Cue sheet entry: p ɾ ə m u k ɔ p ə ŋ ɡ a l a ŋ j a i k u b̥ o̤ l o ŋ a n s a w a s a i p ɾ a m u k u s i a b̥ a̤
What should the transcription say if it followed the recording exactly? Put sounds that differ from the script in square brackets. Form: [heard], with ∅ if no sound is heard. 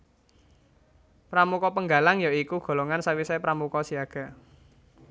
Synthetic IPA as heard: p ɾ [a] m u k ɔ p ə ŋ ɡ a l a ŋ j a i k u [ɡ̥] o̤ l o ŋ a n s a w [i] s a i p ɾ a m u k [ɔ] s i a [ɡ̥] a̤